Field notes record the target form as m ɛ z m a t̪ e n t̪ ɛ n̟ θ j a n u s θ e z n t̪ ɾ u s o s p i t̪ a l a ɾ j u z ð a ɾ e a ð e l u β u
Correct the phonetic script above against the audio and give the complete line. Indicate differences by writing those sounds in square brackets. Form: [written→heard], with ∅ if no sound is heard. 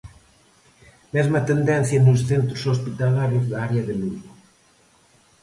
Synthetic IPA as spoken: m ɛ z m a t̪ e n [t̪→d̪] ɛ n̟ θ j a n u s θ e [z→∅] n t̪ ɾ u s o s p i t̪ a l a ɾ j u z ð a ɾ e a ð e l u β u